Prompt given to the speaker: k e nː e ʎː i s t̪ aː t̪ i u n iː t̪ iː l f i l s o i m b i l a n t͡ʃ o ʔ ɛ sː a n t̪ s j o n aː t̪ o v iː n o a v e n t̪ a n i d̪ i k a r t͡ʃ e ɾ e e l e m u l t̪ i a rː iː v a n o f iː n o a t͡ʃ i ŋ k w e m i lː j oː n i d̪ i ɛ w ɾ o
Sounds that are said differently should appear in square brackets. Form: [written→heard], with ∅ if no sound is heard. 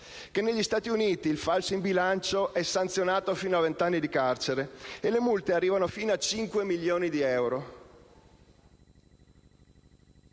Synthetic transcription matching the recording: k e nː e ʎː i s t̪ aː t̪ i u n iː t̪ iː l f [i→a] l s o i m b i l a n t͡ʃ o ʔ ɛ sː a n t̪ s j o n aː t̪ o [v→f] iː n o a v e n t̪ a [n→nː] i d̪ i k a r t͡ʃ e ɾ e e l e m u l t̪ [i→e] a rː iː v a n o f iː n o a t͡ʃ i ŋ k w e m i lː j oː n i d̪ i ɛ w ɾ o